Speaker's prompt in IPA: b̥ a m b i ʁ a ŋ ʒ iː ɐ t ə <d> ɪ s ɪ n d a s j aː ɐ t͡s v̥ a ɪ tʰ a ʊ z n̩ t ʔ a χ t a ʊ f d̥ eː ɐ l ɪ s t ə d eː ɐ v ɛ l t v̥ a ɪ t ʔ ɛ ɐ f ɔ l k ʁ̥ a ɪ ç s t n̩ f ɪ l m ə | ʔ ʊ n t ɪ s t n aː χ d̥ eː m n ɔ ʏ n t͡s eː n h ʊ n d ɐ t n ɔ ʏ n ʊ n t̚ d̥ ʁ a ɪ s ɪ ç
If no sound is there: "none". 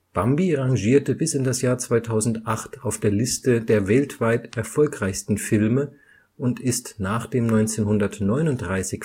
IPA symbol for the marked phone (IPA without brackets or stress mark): b